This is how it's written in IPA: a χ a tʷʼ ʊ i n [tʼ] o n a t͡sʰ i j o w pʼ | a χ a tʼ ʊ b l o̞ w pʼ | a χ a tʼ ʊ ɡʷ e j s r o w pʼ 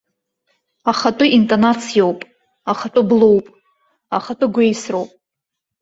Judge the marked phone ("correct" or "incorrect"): correct